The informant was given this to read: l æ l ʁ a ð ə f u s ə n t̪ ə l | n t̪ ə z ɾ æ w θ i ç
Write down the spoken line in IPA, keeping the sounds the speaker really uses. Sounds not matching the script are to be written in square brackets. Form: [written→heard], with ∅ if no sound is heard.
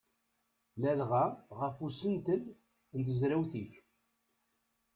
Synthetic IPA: l æ l ʁ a [ð→ʁ] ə f u s ə n t̪ ə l | n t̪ ə z ɾ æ w θ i ç